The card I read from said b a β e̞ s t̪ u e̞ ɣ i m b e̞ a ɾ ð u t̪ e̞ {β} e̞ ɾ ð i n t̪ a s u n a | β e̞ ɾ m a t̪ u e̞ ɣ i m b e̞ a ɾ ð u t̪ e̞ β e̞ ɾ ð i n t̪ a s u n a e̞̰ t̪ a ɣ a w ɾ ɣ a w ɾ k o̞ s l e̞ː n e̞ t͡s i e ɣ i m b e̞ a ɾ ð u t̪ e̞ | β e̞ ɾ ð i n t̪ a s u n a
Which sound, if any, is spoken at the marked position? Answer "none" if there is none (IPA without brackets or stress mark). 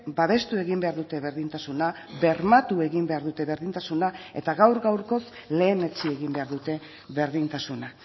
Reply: β